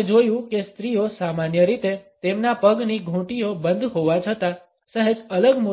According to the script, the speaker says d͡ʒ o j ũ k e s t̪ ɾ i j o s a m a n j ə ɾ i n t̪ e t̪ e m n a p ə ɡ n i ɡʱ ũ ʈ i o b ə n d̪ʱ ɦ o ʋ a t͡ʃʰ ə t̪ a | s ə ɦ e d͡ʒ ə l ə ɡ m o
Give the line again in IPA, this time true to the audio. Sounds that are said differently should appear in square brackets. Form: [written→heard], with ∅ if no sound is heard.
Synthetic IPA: d͡ʒ o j ũ k e s t̪ ɾ i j o s a m a n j ə ɾ i [n→∅] t̪ e t̪ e m n a p ə ɡ n i ɡʱ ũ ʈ i o b ə n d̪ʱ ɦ o ʋ a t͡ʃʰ ə t̪ a | s ə ɦ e d͡ʒ ə l ə ɡ m o